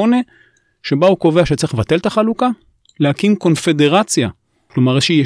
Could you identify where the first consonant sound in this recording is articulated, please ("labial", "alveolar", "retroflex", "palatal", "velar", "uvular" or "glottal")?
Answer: alveolar